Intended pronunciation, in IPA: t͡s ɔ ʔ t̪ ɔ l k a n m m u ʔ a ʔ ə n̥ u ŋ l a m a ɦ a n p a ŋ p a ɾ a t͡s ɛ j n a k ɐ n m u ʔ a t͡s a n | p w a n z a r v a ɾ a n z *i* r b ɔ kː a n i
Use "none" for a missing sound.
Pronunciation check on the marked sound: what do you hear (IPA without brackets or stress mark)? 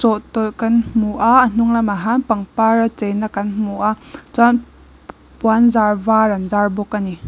a